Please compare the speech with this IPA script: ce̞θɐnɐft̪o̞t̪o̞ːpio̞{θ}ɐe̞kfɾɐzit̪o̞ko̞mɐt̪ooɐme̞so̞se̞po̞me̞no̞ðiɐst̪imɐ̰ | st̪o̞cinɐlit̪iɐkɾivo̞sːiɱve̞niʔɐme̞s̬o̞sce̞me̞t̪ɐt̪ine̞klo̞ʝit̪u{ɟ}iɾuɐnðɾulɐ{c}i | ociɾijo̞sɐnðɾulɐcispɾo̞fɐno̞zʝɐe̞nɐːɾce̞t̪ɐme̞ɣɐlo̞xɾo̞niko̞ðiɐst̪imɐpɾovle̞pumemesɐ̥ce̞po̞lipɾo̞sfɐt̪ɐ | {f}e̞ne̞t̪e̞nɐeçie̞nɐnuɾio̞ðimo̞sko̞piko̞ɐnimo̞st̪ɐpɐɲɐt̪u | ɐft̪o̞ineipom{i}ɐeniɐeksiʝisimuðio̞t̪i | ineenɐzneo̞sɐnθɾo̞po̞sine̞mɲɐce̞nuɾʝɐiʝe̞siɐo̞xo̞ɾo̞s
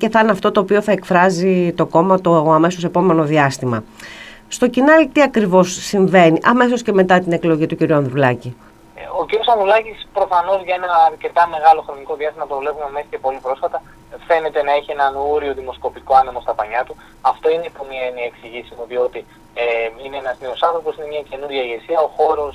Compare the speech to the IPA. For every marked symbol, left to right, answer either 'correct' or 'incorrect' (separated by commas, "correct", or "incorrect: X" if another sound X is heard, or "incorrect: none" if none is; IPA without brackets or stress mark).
correct, incorrect: c, correct, correct, correct